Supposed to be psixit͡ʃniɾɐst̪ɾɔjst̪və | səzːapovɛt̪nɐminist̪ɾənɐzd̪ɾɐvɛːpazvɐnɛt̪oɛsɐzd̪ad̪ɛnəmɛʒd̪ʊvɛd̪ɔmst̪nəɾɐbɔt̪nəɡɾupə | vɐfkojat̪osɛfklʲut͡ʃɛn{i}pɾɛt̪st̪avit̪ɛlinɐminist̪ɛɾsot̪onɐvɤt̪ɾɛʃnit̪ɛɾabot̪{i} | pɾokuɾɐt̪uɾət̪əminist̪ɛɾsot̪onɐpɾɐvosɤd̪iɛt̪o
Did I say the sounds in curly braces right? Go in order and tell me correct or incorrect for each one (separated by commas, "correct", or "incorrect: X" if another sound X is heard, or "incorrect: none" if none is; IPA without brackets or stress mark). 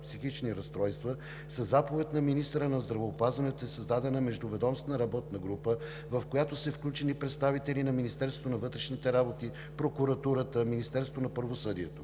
correct, correct